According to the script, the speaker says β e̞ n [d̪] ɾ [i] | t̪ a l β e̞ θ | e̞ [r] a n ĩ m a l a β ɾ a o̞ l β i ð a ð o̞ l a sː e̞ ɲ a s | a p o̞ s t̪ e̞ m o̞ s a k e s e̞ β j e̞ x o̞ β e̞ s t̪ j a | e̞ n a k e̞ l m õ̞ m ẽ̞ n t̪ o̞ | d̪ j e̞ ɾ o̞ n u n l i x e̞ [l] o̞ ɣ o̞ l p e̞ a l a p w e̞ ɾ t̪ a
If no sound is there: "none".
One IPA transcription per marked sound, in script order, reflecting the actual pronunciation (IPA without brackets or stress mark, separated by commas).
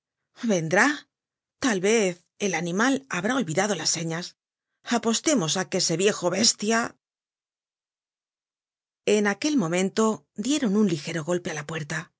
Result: d̪, a, l, ɾ